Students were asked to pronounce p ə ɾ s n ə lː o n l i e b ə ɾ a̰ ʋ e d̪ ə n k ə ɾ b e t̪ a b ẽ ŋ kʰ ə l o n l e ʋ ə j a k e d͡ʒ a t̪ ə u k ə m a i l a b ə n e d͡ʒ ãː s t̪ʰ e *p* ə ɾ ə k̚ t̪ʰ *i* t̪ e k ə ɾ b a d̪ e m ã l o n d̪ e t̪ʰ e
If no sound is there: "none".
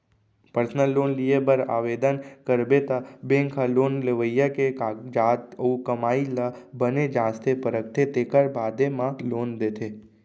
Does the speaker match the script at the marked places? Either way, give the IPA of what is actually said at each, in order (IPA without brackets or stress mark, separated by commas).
p, e